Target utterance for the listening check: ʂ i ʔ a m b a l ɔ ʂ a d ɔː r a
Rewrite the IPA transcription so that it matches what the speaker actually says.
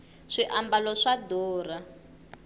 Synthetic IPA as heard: ʂ i ʔ a m b a l ɔ ʂ a d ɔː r a